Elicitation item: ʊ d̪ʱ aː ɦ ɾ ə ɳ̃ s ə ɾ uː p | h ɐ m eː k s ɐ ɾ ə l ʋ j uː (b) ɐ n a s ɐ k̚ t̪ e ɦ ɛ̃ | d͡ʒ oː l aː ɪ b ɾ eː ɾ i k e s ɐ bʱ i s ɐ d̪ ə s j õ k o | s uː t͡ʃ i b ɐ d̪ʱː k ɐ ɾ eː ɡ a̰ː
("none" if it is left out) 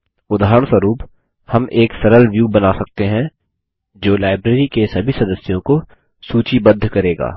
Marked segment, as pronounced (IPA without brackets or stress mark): b